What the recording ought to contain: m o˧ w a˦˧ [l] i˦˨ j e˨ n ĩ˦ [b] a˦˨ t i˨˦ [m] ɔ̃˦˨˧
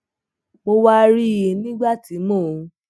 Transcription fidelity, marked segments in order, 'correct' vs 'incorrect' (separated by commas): incorrect, incorrect, correct